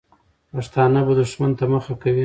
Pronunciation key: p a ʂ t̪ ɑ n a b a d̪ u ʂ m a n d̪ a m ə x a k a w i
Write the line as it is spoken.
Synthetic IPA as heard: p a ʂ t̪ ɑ n a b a d̪ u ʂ m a n t̪ a m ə x a k a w i